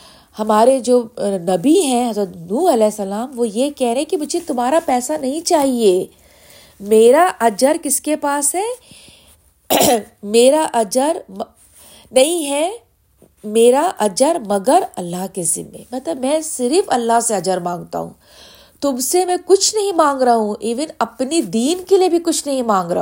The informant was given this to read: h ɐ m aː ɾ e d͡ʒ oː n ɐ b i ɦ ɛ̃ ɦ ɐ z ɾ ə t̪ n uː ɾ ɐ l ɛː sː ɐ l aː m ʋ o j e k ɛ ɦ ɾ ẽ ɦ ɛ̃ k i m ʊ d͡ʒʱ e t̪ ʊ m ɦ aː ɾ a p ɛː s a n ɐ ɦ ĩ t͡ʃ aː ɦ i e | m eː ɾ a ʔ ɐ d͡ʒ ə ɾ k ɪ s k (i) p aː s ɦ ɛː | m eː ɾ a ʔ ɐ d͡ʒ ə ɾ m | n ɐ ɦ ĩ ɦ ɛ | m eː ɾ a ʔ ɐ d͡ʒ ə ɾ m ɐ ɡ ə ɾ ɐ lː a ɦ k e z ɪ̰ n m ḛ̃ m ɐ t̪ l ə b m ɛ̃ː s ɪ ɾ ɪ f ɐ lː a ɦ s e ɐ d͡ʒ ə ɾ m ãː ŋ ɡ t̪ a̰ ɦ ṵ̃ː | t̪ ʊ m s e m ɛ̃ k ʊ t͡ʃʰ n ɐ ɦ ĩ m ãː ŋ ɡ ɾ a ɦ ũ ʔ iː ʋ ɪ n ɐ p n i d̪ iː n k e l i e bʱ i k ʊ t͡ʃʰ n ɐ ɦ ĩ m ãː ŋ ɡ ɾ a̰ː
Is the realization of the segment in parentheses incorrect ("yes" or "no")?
yes